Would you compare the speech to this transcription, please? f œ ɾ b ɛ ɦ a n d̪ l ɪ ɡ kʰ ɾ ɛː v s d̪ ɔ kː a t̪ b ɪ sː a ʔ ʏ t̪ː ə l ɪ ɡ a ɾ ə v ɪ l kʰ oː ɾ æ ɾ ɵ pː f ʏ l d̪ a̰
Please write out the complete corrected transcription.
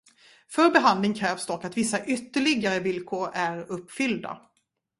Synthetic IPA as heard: f œ ɾ b ɛ ɦ a n d̪ l ɪ ŋ kʰ ɾ ɛː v s d̪ ɔ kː a t̪ v ɪ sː a ʔ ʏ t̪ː ə ɭ ɪ ɡ a ɾ ə v ɪ l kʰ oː ɾ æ ɾ ɵ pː f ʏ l d̪ a̰